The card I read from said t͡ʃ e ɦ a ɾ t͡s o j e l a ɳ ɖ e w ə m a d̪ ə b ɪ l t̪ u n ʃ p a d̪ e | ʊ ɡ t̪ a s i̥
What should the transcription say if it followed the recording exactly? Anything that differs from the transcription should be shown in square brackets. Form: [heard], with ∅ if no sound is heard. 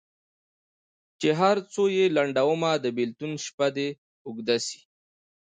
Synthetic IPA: t͡ʃ e ɦ a ɾ t͡s o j e l a ɳ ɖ [a] w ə m a d̪ ə b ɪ l t̪ u n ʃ p a d̪ e | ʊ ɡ [d̪] a s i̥